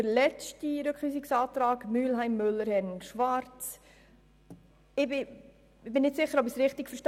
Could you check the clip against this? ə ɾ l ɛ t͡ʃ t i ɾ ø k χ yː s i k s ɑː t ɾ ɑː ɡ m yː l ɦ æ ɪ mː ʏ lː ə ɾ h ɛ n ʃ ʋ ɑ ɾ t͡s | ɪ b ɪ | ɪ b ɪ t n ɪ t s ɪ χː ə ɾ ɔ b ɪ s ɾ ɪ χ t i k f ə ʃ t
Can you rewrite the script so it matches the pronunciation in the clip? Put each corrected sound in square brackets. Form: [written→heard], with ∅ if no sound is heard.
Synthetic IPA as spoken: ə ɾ l ɛ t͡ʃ t i ɾ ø k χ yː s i k s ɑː t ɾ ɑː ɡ m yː l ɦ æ ɪ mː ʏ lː ə ɾ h ɛ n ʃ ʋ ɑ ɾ t͡s | ɪ b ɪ | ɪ b ɪ [t→∅] n ɪ t s ɪ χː ə ɾ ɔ b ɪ s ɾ ɪ χ t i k f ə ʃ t